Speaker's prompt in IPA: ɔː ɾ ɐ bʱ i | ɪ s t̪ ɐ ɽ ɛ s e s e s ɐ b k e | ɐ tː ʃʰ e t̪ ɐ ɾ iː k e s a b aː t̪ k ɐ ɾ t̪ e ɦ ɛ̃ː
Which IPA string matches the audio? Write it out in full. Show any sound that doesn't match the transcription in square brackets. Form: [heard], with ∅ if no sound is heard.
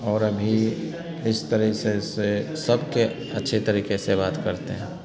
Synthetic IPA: ɔː ɾ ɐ bʱ i | ɪ s t̪ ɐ [ɾ] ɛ s e s e s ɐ b k e | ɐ tː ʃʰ e t̪ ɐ ɾ iː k e s [e] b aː t̪ k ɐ ɾ t̪ e ɦ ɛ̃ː